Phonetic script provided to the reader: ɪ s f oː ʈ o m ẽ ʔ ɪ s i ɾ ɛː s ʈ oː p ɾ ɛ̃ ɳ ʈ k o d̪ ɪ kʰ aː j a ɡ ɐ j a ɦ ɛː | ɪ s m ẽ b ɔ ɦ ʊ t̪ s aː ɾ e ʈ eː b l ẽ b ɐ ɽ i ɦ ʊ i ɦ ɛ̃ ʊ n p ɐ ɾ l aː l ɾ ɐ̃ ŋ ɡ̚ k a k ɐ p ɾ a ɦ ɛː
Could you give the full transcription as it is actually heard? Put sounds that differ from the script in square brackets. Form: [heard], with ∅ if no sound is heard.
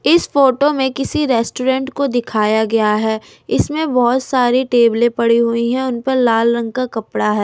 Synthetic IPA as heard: ɪ s f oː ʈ o m ẽ [k] ɪ s i ɾ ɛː s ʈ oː [∅] ɾ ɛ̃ ɳ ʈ k o d̪ ɪ kʰ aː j a ɡ ɐ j a ɦ ɛː | ɪ s m ẽ b ɔ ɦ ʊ t̪ s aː ɾ [i] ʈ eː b l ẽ [p] ɐ ɽ i ɦ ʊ i ɦ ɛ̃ ʊ n p ɐ ɾ l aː l ɾ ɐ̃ ŋ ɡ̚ k a k ɐ p [ɽ] a ɦ ɛː